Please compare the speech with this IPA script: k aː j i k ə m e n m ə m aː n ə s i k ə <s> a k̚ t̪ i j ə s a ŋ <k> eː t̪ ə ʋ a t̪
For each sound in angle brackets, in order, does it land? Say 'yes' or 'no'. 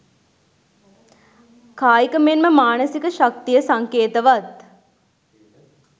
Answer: no, yes

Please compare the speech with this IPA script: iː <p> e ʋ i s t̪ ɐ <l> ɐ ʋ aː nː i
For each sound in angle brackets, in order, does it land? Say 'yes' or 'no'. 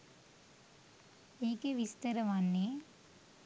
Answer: no, no

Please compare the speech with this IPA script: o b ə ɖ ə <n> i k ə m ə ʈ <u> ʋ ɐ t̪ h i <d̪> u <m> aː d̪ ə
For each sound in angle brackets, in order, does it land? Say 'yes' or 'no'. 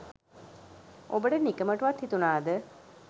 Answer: yes, yes, no, no

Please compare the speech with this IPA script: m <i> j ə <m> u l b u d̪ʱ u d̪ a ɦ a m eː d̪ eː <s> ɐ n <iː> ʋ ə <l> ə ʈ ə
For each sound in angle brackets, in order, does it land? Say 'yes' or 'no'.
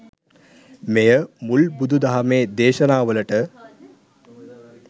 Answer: no, yes, no, no, yes

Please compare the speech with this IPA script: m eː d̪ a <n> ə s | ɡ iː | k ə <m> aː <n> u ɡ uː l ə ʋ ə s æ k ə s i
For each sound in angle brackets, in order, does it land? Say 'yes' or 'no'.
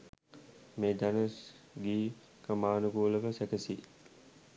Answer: yes, yes, yes

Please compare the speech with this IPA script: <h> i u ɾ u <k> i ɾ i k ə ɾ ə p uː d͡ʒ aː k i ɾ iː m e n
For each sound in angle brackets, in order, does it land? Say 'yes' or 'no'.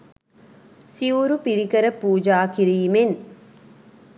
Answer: no, no

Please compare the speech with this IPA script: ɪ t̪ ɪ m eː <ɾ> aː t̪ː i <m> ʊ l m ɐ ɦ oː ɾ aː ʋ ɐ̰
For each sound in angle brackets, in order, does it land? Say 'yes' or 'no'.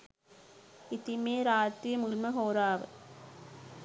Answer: yes, yes

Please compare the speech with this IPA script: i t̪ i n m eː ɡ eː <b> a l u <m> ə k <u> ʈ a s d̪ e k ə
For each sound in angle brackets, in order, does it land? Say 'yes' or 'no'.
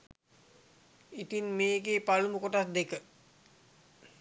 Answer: no, yes, no

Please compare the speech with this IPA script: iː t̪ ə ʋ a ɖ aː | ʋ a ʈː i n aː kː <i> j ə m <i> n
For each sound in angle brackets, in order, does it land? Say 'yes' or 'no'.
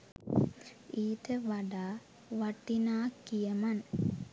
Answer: yes, no

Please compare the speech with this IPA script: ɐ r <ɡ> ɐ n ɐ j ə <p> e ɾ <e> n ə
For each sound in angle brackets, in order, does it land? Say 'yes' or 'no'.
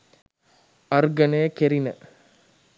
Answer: yes, no, no

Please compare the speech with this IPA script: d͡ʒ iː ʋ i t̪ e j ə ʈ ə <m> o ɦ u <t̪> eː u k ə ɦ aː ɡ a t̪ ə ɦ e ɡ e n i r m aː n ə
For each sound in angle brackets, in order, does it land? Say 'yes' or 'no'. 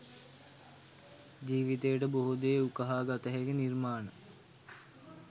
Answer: no, no

